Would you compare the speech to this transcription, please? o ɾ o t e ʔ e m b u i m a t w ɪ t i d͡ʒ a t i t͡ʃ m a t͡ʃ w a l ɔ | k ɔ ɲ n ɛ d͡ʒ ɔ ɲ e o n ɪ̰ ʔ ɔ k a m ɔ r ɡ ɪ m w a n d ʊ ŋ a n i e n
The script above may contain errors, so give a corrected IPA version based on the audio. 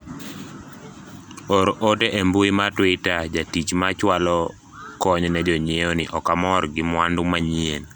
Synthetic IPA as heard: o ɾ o t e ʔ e m b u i m a t w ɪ t a d͡ʒ a t i t͡ʃ m a t͡ʃ w a l ɔ | k ɔ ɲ n ɛ d͡ʒ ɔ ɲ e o n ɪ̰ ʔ ɔ k a m ɔ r ɡ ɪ m w a n d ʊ m a ɲ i e n